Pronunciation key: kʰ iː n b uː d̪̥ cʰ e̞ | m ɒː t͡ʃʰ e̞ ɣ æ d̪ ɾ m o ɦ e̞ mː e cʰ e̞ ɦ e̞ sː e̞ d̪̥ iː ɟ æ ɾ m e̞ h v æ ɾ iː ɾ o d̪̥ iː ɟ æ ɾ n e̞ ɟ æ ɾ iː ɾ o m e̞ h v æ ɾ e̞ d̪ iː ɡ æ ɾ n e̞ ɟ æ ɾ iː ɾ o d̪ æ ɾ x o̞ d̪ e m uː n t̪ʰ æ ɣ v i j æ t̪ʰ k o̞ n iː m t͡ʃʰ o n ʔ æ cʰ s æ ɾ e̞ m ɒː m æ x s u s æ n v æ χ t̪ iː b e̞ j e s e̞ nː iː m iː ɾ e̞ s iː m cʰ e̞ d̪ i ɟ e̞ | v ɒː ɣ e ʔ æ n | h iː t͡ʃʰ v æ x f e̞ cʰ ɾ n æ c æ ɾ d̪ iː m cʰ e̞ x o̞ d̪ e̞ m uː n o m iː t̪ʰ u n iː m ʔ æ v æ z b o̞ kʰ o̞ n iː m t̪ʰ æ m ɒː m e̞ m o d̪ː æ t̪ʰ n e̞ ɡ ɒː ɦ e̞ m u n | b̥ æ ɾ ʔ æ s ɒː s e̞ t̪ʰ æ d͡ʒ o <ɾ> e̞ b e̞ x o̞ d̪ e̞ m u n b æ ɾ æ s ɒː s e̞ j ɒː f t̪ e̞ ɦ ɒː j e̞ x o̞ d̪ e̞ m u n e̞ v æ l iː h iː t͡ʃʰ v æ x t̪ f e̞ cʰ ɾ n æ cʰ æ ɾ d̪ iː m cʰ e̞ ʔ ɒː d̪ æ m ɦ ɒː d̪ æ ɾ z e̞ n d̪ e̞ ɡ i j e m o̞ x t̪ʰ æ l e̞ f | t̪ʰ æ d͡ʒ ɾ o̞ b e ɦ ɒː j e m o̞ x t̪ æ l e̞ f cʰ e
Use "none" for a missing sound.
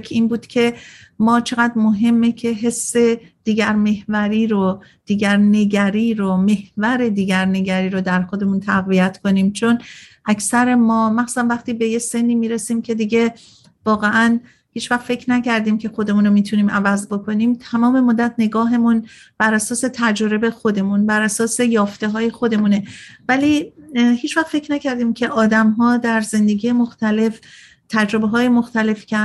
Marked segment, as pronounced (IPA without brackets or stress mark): ɾ